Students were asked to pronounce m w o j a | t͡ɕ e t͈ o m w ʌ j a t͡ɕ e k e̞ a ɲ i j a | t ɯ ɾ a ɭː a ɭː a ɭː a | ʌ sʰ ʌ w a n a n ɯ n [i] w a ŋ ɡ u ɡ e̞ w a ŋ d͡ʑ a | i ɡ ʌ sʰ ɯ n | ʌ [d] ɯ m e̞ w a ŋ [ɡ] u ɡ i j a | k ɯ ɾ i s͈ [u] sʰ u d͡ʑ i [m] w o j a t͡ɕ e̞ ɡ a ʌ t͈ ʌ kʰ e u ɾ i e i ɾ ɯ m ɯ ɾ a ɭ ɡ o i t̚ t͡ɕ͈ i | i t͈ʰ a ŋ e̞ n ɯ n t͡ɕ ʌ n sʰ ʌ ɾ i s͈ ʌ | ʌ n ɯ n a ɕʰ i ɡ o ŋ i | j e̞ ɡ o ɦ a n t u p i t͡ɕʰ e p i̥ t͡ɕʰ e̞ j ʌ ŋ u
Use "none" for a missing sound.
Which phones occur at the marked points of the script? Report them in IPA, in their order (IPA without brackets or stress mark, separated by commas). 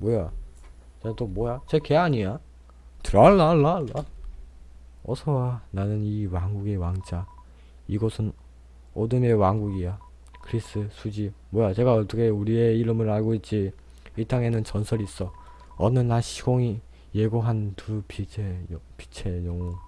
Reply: i, d, ɡ, ɯ, m